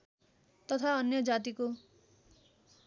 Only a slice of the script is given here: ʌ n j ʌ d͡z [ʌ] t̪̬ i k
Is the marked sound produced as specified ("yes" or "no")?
no